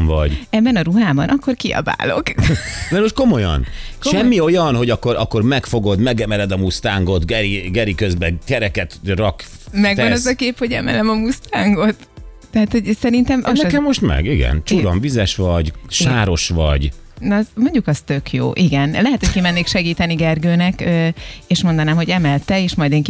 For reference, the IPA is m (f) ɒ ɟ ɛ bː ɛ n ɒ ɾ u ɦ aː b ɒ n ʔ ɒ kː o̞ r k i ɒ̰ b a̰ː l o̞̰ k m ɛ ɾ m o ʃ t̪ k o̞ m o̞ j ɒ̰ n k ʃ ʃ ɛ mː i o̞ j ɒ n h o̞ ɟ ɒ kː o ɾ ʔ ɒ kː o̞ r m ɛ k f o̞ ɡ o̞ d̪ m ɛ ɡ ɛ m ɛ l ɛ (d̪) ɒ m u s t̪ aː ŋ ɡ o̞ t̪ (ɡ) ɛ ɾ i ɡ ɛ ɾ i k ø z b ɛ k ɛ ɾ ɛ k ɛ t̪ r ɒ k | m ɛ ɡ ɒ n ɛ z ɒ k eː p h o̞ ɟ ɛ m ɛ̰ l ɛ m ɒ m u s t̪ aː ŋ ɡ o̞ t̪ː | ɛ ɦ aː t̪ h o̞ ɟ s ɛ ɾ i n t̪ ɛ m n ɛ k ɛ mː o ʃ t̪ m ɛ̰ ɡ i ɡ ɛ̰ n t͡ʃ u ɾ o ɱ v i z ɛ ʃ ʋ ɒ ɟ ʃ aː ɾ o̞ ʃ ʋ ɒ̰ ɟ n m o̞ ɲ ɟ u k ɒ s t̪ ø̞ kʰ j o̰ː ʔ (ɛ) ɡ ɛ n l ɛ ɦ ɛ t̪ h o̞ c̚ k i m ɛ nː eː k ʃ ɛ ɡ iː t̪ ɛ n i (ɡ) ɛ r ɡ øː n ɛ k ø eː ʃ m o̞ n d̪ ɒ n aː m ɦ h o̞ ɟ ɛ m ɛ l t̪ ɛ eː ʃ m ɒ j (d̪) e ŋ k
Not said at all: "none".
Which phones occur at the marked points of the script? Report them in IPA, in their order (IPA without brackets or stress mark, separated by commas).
v, d̪, ɡ, i, ɡ, d̪